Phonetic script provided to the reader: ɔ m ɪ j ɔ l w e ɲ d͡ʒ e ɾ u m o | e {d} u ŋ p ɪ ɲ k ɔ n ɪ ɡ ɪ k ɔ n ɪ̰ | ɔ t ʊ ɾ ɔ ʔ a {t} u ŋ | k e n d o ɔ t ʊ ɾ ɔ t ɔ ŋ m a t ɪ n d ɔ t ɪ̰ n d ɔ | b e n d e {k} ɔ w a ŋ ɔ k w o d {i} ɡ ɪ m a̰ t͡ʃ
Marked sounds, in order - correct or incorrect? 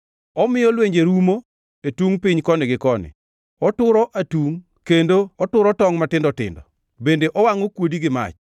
incorrect: t, correct, incorrect: ʔ, correct

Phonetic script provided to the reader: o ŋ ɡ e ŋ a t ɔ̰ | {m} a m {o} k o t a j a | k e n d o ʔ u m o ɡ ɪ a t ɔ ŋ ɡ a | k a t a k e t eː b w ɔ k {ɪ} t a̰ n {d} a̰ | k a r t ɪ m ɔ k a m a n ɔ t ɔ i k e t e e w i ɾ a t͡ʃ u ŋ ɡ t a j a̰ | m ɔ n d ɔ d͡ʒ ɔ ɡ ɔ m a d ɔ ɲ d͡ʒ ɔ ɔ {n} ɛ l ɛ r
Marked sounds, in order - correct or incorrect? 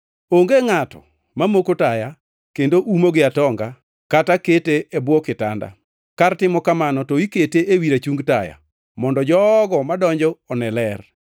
correct, correct, correct, correct, correct

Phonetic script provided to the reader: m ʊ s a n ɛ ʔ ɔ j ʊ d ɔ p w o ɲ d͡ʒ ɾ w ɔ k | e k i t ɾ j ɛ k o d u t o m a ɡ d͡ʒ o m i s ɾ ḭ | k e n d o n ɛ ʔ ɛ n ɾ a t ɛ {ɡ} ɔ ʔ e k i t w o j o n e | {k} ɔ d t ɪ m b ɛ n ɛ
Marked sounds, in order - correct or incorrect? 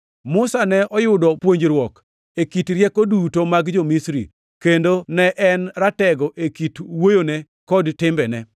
correct, correct

